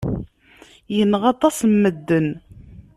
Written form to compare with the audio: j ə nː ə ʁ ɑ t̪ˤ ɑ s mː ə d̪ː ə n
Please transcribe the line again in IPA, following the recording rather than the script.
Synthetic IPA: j ə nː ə ʁ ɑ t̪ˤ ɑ s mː ə d̪ː ə n

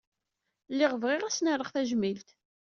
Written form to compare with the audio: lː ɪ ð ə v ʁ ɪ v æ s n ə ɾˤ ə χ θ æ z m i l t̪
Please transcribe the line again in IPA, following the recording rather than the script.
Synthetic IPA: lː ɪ ʁ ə v ʁ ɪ ʁ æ s n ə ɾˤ ə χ θ æ ʒ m i l t̪

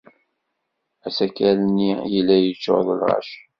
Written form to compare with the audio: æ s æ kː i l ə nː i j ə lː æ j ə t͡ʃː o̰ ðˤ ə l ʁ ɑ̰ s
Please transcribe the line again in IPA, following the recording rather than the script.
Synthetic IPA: æ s æ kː æ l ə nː i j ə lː æ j ə t͡ʃː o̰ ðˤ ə l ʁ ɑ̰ ʃ

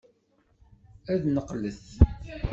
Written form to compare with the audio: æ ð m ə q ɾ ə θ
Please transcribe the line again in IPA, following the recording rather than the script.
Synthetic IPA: æ ð n ə q l ə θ

